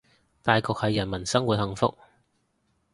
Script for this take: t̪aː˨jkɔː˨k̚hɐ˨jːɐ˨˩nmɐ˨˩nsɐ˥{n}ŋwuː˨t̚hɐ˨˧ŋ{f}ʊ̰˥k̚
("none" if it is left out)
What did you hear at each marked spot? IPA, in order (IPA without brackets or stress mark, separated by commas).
none, f